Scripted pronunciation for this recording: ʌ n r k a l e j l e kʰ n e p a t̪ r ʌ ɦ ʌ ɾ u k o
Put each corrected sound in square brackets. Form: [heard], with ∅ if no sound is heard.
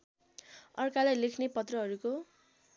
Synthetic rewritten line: ʌ [∅] r k a l [a] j l e kʰ n e p [ʌ] t̪ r ʌ ɦ ʌ ɾ u k o

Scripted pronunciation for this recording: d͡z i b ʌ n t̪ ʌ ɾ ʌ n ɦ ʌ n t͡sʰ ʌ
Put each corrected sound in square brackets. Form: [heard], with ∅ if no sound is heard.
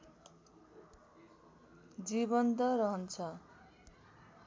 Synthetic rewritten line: d͡z i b ʌ n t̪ ʌ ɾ ʌ [∅] ɦ ʌ n t͡sʰ ʌ

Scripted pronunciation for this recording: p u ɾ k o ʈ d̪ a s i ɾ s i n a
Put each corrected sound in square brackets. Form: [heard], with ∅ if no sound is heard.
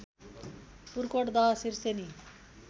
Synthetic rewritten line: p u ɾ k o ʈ d̪ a s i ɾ s [e] n [i]

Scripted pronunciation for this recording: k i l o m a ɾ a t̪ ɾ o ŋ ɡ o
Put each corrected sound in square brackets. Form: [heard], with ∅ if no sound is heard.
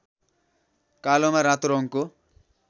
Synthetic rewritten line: k [a] l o m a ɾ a t̪ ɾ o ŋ [k] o

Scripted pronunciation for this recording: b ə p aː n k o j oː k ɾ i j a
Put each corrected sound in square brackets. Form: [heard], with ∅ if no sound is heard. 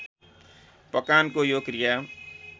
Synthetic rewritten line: [p] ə [k] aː n k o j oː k ɾ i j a

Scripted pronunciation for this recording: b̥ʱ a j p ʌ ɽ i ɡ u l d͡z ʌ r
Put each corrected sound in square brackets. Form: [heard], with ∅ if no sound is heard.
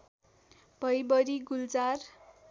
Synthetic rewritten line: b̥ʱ [ʌ] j [b] ʌ [ɾ] i ɡ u l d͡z [a] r

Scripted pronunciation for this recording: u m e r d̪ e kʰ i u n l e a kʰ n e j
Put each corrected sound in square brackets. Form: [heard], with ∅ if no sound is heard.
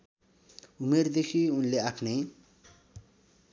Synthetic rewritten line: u m e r d̪ e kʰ i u n l e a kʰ n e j

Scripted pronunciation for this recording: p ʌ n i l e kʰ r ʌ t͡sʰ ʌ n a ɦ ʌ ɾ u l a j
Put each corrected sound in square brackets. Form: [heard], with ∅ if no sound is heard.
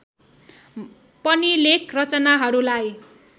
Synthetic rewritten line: p ʌ n i l e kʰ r ʌ [t͡s] ʌ n a ɦ ʌ ɾ u l a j

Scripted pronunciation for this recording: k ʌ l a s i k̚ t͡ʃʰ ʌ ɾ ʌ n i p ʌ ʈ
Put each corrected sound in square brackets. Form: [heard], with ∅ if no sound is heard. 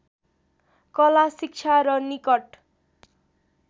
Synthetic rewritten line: k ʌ l a s i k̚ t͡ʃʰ [a] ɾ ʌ n i [k] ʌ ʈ

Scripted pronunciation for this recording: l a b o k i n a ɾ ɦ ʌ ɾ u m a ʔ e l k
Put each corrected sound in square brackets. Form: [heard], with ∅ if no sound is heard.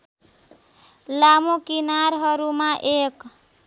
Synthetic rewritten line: l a [m] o k i n a ɾ ɦ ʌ ɾ u m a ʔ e [∅] k

